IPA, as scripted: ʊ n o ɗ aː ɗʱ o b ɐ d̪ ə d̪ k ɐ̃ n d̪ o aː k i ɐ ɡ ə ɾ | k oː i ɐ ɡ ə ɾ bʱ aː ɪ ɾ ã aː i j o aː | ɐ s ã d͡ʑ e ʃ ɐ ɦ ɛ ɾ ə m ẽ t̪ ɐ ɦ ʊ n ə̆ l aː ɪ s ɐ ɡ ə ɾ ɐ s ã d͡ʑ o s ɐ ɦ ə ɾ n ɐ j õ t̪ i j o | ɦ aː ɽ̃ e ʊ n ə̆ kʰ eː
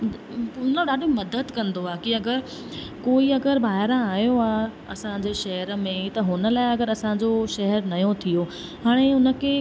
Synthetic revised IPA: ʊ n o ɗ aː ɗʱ o m ɐ d̪ ə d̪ k ɐ̃ n d̪ o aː k i ɐ ɡ ə ɾ | k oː i ɐ ɡ ə ɾ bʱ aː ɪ ɾ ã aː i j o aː | ɐ s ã d͡ʑ e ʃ ɐ ɦ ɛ ɾ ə m ẽ t̪ ɐ ɦ ʊ n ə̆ l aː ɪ ɐ ɡ ə ɾ ɐ s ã d͡ʑ o ʃ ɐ ɦ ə ɾ n ɐ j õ t̪ʰ i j o | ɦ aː ɽ̃ e ʊ n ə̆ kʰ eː